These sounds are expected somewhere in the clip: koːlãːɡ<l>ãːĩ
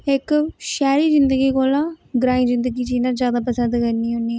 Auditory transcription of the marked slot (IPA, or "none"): ɾ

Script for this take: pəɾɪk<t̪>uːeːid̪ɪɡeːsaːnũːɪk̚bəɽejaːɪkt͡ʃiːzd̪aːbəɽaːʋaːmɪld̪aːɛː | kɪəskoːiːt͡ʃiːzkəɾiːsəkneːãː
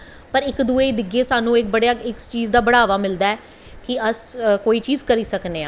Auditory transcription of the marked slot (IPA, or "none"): d̪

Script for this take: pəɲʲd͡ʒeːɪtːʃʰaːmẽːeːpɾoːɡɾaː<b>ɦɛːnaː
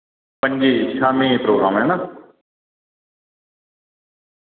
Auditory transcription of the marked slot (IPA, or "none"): m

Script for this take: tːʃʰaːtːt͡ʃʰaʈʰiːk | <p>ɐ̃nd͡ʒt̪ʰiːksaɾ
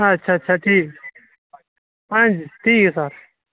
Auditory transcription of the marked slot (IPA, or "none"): p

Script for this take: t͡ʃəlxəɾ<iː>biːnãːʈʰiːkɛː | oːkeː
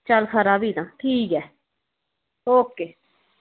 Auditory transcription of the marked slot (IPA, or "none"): aː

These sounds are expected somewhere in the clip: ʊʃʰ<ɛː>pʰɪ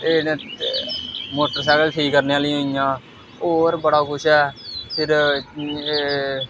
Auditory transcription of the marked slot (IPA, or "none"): ɛː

